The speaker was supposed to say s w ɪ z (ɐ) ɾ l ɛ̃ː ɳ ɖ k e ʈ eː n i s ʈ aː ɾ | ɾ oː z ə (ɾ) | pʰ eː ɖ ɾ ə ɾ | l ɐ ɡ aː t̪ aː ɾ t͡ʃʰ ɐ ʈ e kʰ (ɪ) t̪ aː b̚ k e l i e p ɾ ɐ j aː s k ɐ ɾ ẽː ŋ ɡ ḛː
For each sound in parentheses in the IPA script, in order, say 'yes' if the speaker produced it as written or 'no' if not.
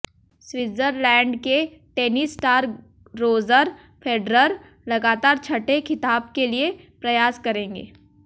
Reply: no, yes, yes

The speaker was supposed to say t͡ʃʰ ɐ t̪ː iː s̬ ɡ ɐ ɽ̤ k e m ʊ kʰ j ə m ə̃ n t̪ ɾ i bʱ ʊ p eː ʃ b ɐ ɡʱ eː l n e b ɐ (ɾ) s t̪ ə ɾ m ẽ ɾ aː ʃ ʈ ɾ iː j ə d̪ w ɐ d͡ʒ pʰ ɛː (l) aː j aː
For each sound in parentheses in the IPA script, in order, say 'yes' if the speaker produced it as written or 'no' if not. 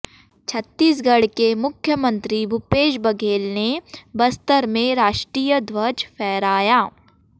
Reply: no, no

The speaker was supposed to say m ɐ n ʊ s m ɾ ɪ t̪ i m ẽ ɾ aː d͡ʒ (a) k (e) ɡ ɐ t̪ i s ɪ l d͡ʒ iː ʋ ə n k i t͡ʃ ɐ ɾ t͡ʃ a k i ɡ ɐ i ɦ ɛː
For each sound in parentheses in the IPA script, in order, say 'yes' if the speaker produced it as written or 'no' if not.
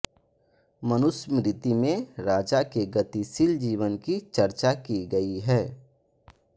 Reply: yes, yes

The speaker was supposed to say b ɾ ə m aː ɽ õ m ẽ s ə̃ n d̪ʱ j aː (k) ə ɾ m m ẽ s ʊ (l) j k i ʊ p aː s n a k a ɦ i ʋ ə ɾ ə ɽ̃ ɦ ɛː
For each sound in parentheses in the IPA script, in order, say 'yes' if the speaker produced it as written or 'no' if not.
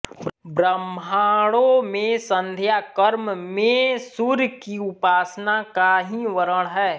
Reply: yes, no

